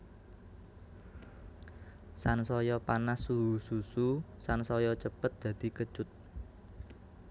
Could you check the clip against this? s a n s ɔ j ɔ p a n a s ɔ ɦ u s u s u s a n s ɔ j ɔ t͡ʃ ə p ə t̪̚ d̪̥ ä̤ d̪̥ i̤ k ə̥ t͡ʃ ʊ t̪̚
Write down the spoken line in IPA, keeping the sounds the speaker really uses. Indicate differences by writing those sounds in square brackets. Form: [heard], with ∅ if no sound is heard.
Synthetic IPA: s a n s ɔ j ɔ p a n a s [u] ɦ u s u s u s a n s ɔ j ɔ t͡ʃ ə p ə t̪̚ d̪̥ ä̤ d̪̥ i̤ k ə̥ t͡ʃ ʊ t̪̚